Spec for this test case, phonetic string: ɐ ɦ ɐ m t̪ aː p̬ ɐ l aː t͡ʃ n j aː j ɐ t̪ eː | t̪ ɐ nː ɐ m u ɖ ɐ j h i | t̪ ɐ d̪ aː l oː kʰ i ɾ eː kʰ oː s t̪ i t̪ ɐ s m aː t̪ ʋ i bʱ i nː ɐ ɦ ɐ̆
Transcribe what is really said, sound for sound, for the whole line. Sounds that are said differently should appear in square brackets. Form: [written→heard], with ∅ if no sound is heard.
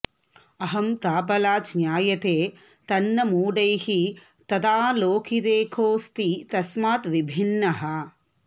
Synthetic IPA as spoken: ɐ ɦ ɐ m t̪ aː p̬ ɐ l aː t͡ʃ n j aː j ɐ t̪ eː | t̪ ɐ nː ɐ m [u→uː] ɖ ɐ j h i | t̪ ɐ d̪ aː l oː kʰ i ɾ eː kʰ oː s t̪ i t̪ ɐ s m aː t̪ ʋ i bʱ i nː ɐ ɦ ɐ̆